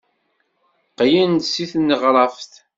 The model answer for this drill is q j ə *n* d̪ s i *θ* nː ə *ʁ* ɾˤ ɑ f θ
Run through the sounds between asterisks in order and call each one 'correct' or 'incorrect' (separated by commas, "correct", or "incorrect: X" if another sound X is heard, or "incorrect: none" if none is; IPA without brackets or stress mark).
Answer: correct, correct, correct